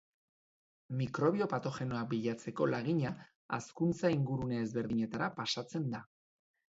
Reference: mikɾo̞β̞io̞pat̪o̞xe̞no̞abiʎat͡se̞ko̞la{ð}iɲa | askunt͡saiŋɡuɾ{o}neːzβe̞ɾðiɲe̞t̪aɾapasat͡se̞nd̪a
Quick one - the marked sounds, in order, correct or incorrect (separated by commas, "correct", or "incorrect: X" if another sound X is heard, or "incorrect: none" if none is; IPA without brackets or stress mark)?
incorrect: ɣ, incorrect: u